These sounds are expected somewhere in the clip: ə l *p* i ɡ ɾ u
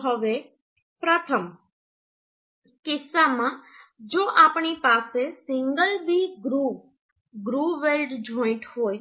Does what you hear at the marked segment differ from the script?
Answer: yes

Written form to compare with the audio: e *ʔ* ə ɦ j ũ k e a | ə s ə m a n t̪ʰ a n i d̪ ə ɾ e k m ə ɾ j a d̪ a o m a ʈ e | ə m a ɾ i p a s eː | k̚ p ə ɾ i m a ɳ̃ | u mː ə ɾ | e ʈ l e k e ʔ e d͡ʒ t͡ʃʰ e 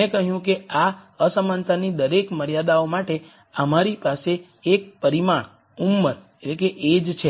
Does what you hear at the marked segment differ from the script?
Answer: yes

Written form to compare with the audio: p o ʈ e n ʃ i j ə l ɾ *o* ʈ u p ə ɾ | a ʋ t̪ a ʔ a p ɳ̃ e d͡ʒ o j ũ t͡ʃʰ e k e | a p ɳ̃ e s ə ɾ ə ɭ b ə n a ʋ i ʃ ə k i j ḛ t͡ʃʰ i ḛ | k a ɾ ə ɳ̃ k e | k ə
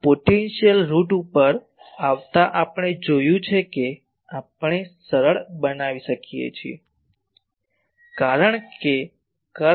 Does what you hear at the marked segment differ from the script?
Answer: yes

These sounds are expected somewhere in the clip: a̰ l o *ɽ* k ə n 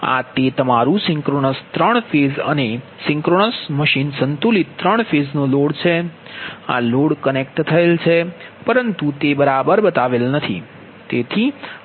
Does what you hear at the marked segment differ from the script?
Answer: no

